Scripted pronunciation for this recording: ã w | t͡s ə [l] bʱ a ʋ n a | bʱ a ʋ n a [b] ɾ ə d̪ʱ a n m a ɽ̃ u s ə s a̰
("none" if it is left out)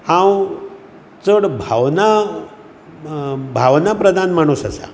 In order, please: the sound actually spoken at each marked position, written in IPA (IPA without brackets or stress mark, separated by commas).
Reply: ɽ, p